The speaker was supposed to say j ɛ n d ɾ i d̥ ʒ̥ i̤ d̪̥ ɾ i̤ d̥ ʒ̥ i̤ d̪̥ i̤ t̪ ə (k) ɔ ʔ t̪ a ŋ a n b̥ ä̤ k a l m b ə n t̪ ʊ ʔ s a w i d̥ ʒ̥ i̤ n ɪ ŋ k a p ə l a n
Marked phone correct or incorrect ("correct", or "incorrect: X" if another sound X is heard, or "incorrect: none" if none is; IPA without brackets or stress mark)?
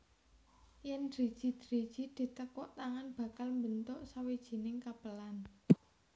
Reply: correct